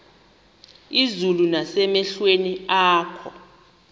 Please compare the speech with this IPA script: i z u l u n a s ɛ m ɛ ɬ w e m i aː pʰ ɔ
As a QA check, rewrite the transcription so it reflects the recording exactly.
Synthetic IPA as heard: i z u l u n a s ɛ m ɛ ɬ w e n i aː kʰ ɔ